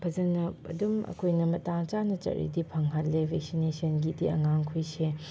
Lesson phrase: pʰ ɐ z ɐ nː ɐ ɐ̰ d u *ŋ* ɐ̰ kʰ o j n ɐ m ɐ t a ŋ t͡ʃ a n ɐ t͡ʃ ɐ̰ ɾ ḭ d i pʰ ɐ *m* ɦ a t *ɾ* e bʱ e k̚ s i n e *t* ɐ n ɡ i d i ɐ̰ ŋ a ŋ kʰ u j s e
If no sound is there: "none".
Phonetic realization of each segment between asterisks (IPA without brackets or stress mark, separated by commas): m, ŋ, l, s